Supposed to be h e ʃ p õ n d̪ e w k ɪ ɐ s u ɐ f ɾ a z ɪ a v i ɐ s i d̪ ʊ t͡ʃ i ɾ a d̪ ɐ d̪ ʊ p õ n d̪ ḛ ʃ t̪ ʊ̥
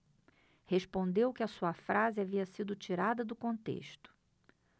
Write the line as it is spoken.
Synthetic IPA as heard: h e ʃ p õ n d̪ e w k ɪ ɐ s u ɐ f ɾ a z ɪ a v i ɐ s i d̪ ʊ t͡ʃ i ɾ a d̪ ɐ d̪ ʊ k õ n t̪ ḛ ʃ t̪ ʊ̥